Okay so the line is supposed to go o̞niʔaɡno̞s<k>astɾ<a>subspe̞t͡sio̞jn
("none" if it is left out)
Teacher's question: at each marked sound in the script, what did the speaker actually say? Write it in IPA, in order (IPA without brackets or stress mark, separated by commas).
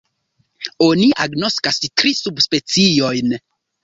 k, i